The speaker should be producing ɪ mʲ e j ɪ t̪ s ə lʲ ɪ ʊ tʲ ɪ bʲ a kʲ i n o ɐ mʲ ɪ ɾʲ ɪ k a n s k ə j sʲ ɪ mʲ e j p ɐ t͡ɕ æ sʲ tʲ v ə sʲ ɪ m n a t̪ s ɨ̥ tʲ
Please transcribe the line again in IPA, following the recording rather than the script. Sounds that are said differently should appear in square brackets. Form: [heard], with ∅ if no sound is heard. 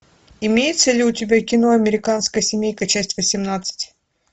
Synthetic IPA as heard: ɪ mʲ e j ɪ t̪ s ə lʲ ɪ ʊ tʲ ɪ bʲ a kʲ [ɪ] n o ɐ mʲ ɪ ɾʲ ɪ k a n s k ə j sʲ ɪ mʲ e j [k] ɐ t͡ɕ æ sʲ tʲ v ə sʲ ɪ m n a t̪ s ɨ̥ tʲ

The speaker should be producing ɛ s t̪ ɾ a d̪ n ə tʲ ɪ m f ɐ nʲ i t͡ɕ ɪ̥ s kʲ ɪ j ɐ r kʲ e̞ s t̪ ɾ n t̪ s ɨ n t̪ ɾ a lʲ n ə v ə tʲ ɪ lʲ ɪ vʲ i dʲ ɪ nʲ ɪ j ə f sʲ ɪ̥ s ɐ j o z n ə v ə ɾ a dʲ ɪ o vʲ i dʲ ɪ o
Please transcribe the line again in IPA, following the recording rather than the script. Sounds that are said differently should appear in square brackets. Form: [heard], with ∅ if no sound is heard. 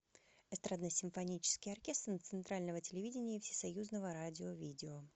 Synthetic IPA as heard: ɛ s t̪ ɾ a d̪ n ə [sʲ] ɪ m f ɐ nʲ i t͡ɕ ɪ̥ s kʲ ɪ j ɐ r kʲ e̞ s t̪ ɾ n t̪ s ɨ n t̪ ɾ a lʲ n ə v ə tʲ ɪ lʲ ɪ vʲ i dʲ ɪ nʲ ɪ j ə f sʲ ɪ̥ s ɐ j [u] z n ə v ə ɾ a dʲ ɪ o vʲ i dʲ ɪ o

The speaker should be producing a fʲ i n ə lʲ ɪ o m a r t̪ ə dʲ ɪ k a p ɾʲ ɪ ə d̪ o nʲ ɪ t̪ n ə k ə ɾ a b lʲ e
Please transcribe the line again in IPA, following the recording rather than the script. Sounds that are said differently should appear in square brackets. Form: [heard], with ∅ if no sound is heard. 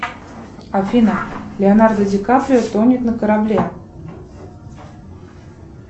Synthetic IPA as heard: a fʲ i n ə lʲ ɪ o [n] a r [d̪] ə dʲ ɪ k a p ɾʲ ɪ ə [t̪] o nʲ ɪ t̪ n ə k ə ɾ a b lʲ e

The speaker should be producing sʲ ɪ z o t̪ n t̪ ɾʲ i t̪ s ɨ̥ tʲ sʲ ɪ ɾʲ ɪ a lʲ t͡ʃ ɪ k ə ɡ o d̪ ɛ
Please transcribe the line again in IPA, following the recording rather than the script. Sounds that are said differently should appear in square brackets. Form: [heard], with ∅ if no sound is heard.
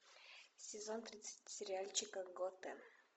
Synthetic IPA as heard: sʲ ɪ z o [∅] n t̪ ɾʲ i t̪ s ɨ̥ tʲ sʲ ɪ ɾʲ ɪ a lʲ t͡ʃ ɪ k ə ɡ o [t̪] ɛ

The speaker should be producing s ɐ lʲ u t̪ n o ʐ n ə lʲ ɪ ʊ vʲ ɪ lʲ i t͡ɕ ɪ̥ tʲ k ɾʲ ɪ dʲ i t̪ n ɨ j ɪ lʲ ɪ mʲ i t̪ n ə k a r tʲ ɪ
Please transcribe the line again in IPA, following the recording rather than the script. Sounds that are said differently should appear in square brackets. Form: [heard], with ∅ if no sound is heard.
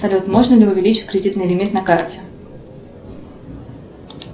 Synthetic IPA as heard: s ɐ lʲ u t̪ [m] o ʐ n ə lʲ ɪ ʊ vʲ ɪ lʲ i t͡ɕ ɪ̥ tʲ k ɾʲ ɪ dʲ i t̪ n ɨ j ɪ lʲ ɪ mʲ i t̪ n [ɐ] k a r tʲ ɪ

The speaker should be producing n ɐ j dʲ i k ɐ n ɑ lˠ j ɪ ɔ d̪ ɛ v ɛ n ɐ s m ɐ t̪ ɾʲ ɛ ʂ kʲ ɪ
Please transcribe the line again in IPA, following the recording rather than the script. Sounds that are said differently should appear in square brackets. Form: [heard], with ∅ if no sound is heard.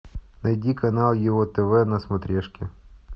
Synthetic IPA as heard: n ɐ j dʲ i k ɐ n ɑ lˠ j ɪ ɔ [t̪] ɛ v ɛ n ɐ s m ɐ t̪ ɾʲ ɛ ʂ kʲ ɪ

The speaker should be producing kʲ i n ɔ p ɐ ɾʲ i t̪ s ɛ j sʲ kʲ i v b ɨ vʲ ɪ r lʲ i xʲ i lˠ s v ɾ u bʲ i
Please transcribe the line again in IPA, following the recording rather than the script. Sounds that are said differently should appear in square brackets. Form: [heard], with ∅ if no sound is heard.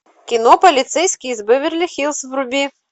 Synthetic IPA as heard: kʲ i n ɔ p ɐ [lʲ] i t̪ s ɛ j sʲ kʲ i [z] b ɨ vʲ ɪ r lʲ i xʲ i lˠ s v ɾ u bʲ i

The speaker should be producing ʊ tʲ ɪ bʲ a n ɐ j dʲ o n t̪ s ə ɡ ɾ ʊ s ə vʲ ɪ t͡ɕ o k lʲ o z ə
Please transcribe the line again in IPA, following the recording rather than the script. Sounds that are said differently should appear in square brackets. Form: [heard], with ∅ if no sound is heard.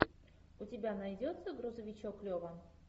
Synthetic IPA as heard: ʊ tʲ ɪ bʲ a n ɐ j dʲ o [∅] t̪ s ə ɡ ɾ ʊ [z] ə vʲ ɪ t͡ɕ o k lʲ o [v] ə

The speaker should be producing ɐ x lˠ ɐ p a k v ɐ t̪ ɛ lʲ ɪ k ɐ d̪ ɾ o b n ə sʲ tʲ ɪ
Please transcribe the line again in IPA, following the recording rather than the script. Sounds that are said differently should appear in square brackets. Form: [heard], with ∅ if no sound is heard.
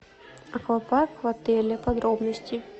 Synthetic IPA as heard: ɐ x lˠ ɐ p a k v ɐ t̪ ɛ lʲ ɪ [p] ɐ d̪ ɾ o b n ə sʲ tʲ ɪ

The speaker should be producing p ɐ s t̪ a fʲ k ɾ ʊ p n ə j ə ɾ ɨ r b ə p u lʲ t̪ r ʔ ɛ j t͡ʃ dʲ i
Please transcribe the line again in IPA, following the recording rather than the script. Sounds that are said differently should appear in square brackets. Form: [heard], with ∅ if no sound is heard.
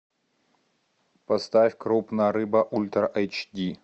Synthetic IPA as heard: p ɐ s t̪ a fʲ k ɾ [u] p n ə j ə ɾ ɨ [∅] b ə [ʔ] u lʲ t̪ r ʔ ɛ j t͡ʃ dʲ i

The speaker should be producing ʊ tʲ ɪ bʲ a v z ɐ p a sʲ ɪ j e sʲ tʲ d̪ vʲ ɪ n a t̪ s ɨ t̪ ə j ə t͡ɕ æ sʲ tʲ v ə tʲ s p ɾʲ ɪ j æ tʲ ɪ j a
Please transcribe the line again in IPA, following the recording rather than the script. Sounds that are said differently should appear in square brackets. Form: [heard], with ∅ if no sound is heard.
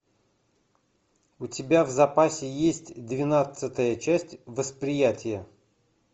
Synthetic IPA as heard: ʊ tʲ ɪ bʲ a v z ɐ p a sʲ ɪ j e sʲ tʲ d̪ vʲ ɪ n a t̪ s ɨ t̪ ə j ə t͡ɕ æ sʲ tʲ v ə [∅] s p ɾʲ ɪ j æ tʲ ɪ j [ə]

